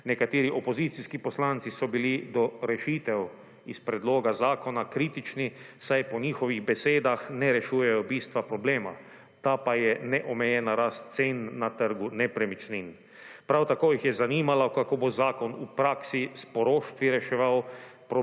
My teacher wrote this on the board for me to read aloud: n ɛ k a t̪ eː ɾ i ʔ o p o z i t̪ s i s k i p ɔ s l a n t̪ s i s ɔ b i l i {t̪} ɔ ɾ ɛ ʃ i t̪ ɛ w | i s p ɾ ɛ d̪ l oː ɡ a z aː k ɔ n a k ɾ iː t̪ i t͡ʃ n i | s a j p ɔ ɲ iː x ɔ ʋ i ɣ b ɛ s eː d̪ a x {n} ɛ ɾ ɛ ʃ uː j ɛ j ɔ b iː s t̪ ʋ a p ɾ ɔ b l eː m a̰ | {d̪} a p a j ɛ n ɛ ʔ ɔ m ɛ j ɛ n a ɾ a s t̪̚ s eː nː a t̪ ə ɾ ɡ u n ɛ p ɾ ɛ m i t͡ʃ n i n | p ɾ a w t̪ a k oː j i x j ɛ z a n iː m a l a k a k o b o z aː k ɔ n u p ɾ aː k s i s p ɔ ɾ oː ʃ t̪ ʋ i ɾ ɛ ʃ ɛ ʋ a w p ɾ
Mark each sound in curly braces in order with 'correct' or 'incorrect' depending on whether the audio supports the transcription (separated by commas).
incorrect, correct, incorrect